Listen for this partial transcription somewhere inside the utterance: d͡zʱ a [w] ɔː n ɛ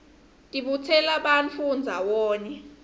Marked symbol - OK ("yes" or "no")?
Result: yes